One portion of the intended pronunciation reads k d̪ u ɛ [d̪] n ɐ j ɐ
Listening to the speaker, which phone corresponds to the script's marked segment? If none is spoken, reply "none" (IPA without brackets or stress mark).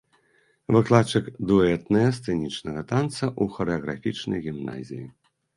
t̪